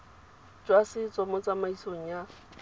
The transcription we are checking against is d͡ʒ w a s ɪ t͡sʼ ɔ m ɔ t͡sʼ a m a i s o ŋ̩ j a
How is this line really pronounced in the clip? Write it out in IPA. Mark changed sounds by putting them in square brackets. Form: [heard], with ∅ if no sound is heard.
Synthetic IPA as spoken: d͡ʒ w a s ɪ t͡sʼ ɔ m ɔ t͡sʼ a m a i s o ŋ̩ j a